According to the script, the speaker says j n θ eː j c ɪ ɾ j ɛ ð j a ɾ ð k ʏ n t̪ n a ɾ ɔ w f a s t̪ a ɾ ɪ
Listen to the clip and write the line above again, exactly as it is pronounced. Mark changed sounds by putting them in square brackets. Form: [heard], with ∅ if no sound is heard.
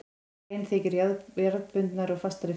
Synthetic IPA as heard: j n θ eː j c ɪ ɾ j [a] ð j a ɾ ð [p] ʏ n t̪ n a ɾ ɔ [ɣ] f a s t̪ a ɾ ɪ